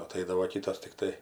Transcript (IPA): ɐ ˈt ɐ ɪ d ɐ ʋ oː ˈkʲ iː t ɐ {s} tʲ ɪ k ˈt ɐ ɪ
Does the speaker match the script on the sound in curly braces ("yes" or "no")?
yes